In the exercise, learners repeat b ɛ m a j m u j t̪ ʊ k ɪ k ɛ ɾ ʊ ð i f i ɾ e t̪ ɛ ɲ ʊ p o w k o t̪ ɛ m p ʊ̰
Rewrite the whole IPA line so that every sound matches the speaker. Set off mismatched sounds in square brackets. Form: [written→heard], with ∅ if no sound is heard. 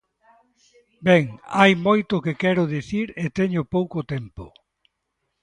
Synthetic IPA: b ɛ [m→ŋ] a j m [u→o] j t̪ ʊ k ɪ k ɛ ɾ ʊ ð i [f→θ] i ɾ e t̪ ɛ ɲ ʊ p o w k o t̪ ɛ m p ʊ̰